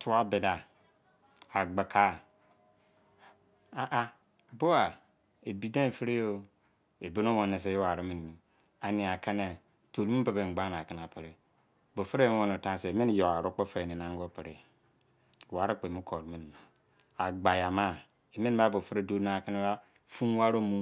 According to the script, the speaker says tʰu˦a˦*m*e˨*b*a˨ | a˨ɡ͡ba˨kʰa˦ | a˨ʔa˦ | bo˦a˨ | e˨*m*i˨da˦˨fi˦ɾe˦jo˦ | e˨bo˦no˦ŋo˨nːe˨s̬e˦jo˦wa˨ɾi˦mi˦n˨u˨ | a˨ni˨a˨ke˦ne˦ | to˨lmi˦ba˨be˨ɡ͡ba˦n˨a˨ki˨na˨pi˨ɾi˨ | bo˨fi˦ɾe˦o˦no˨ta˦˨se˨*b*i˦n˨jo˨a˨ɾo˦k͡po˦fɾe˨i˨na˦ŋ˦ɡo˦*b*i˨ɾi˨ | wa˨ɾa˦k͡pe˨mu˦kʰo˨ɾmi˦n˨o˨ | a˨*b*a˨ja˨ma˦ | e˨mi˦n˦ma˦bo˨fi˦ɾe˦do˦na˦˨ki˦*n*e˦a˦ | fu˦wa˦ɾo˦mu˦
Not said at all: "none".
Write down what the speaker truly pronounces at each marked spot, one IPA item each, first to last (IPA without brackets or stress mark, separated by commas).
b, d, b, m, p, ɡ͡b, n